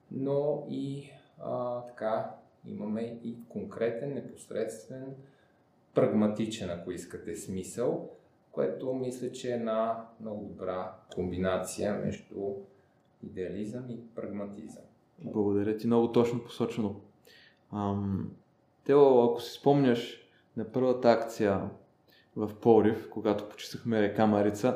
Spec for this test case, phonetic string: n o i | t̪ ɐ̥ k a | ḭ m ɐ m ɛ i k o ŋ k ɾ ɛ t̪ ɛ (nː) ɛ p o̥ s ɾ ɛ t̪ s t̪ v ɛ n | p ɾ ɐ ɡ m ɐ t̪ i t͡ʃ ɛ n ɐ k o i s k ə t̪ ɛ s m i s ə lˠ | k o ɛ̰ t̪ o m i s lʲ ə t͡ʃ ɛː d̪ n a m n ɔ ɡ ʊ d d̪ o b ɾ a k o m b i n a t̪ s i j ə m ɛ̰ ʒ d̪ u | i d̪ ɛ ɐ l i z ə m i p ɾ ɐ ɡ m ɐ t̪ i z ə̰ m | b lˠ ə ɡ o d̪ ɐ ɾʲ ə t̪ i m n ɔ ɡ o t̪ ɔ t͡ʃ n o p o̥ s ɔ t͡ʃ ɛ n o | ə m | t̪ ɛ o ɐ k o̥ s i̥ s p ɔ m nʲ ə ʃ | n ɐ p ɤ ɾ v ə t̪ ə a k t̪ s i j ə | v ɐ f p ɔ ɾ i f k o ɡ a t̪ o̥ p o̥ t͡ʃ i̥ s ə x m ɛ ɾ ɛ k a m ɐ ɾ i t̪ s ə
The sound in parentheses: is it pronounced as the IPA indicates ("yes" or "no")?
yes